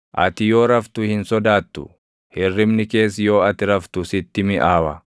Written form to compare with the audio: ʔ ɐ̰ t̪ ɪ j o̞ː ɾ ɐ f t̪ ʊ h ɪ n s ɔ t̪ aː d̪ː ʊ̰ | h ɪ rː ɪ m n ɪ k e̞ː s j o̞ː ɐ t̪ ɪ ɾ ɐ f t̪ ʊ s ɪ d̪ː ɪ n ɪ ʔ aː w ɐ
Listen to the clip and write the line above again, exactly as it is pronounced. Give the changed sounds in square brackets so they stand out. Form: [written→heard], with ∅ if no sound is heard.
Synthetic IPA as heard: ʔ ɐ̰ t̪ ɪ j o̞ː ɾ ɐ f t̪ ʊ h ɪ n s ɔ [t̪→d̪] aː [d̪ː→t̪ː] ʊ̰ | h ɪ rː ɪ m n ɪ k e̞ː s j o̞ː ɐ t̪ ɪ ɾ ɐ f t̪ ʊ s ɪ [d̪ː→t̪ː] ɪ [n→m] ɪ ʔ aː w ɐ